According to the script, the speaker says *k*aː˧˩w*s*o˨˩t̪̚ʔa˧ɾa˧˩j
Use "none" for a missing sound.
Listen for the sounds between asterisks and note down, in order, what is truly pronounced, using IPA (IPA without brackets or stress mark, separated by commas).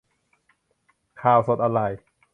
kʰ, s